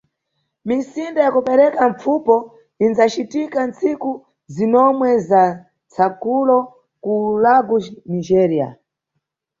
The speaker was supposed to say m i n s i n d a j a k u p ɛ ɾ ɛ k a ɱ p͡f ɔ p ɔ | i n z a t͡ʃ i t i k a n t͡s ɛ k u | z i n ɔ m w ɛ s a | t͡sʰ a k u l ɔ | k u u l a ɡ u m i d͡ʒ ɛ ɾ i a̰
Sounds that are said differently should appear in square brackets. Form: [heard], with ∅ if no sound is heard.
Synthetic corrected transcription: m i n s i n d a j a k u p ɛ ɾ ɛ k a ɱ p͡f [u] p ɔ | i n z a t͡ʃ i t i k a n t͡s [i] k u | z i n ɔ m w ɛ [z] a | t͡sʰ a k u l ɔ | k u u l a ɡ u [n] i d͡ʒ ɛ ɾ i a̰